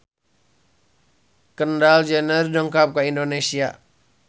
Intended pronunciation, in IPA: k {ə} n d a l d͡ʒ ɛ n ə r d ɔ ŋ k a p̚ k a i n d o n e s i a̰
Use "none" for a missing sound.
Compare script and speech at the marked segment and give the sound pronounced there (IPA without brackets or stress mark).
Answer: ə